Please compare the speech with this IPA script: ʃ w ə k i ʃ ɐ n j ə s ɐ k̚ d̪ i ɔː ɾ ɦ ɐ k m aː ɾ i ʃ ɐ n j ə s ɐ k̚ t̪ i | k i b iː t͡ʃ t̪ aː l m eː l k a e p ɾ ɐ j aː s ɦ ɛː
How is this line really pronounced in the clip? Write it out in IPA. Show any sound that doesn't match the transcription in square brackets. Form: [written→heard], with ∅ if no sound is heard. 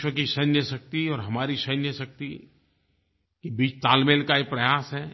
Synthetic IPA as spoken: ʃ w ə k i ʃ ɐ n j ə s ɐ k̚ [d̪→t̪] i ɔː ɾ ɦ ɐ [k→∅] m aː ɾ i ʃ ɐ n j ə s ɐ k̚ t̪ i | k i b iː t͡ʃ t̪ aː l m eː l k a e p ɾ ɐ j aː s ɦ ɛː